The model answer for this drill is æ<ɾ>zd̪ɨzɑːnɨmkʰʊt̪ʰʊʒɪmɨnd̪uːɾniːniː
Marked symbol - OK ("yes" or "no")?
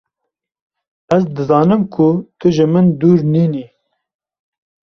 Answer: no